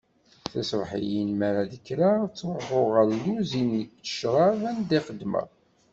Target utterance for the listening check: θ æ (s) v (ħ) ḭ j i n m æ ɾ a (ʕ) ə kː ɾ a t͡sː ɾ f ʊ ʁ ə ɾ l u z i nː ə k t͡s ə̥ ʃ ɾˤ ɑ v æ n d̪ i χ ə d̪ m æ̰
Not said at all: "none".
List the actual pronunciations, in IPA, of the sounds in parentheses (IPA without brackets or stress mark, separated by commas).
s, ħ, ð